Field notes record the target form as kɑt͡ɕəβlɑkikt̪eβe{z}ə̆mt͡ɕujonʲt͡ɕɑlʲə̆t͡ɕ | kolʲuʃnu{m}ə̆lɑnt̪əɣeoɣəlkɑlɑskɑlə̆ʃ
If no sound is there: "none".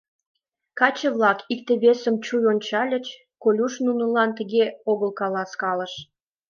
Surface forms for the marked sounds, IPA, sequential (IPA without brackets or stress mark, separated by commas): s, n